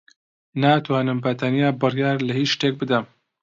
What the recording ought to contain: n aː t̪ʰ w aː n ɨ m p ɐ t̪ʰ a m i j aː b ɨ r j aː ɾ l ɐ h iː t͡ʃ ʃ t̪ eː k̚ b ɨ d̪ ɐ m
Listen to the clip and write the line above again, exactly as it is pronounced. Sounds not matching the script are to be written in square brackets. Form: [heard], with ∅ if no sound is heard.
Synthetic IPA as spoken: n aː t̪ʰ w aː n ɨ m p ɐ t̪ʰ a [n] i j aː b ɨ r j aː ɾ l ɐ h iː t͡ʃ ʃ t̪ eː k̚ b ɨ d̪ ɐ m